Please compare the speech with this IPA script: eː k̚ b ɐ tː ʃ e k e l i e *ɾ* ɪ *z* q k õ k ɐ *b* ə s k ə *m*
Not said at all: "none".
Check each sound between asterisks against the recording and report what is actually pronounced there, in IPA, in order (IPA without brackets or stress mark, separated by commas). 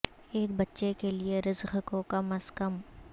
ɾ, z, m, m